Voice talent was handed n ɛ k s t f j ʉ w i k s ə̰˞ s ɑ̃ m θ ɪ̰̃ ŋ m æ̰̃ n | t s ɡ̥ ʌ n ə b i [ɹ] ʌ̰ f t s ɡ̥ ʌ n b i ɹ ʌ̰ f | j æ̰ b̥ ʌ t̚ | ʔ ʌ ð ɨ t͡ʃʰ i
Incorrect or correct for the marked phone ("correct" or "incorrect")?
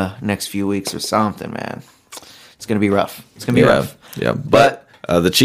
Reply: correct